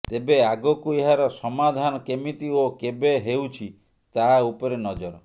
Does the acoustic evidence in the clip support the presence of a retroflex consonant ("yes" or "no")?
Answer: no